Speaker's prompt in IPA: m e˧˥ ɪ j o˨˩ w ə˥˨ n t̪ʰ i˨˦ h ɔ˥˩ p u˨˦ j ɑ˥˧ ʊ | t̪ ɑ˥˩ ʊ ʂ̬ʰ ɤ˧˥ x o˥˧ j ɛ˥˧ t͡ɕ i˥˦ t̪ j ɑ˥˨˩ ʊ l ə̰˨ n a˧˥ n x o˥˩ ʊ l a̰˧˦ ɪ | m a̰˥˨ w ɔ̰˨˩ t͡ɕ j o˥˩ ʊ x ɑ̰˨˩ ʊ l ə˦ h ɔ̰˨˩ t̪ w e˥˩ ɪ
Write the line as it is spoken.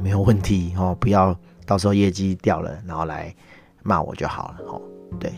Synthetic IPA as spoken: m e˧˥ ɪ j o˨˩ w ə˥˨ n t̪ʰ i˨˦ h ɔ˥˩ p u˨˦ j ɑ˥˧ ʊ | t̪ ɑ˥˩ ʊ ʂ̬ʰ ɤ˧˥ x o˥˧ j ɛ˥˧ t͡ɕ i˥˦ t̪ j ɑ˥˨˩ ʊ l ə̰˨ n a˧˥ n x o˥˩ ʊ l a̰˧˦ ɪ | m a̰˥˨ w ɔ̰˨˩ t͡ɕ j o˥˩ ʊ x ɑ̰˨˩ ʊ l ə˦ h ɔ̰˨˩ t̪ w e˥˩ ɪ